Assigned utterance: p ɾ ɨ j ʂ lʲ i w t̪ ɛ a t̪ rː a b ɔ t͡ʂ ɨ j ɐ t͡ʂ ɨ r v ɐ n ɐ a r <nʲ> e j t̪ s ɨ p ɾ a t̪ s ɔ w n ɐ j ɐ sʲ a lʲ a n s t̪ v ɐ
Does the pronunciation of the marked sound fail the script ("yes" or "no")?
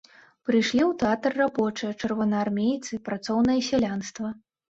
yes